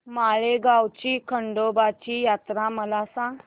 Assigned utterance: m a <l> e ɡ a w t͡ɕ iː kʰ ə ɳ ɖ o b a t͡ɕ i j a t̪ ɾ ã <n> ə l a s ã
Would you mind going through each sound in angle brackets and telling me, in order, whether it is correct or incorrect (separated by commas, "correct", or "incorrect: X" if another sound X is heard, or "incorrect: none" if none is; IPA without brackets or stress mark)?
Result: incorrect: ɭ, incorrect: m